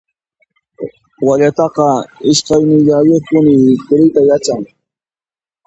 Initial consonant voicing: voiced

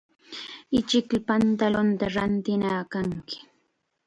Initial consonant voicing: voiceless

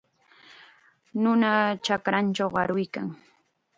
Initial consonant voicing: voiced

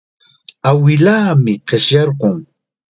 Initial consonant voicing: voiced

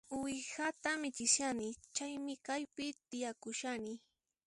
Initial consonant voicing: voiced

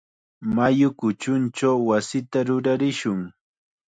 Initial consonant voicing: voiced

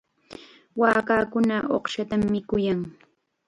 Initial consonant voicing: voiced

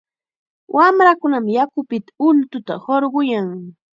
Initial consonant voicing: voiced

